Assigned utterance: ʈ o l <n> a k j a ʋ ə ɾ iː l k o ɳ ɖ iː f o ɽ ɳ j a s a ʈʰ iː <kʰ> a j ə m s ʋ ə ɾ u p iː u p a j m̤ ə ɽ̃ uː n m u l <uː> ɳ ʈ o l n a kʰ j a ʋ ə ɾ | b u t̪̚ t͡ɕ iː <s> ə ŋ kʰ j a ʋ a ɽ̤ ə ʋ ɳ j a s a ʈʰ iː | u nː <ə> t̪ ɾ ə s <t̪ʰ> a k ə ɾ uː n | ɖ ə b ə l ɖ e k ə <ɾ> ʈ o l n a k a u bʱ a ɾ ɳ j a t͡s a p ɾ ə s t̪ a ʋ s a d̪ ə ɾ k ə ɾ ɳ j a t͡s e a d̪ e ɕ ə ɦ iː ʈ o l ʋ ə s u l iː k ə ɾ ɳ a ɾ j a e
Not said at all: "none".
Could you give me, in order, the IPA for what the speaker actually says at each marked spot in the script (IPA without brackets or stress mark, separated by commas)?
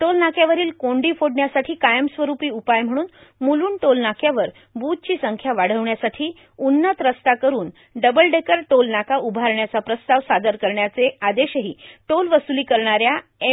n, k, uː, s, ə, t̪, ɾ